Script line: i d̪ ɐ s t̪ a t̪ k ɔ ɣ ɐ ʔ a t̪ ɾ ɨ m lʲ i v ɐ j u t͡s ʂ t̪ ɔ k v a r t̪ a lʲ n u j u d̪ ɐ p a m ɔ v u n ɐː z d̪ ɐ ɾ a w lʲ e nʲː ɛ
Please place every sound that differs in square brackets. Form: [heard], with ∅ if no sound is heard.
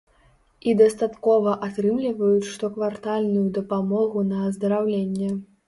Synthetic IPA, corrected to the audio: i d̪ ɐ s t̪ a t̪ k ɔ [v] ɐ ʔ a t̪ ɾ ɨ m lʲ i v ɐ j u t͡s ʂ t̪ ɔ k v a r t̪ a lʲ n u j u d̪ ɐ p a m ɔ [ɣ] u n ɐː z d̪ ɐ ɾ a w lʲ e nʲː ɛ